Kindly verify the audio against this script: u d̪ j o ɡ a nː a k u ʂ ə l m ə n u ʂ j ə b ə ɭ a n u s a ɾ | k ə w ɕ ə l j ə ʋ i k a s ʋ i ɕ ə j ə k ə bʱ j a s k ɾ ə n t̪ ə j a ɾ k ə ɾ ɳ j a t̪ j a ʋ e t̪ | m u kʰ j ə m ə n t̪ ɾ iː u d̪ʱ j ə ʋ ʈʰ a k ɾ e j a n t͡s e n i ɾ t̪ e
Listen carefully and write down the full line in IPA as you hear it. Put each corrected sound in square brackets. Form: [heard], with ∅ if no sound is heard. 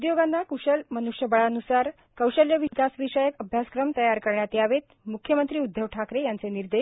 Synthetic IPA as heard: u d̪ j o ɡ a nː a k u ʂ ə l m ə n u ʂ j ə b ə ɭ a n u s a ɾ | k ə w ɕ ə l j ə ʋ i k a s ʋ i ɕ ə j ə k ə bʱ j a s k ɾ ə [m] t̪ ə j a ɾ k ə ɾ ɳ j a t̪ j a ʋ e t̪ | m u kʰ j ə m ə n t̪ ɾ iː u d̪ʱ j ə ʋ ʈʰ a k ɾ e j a n t͡s e n i ɾ [d̪] e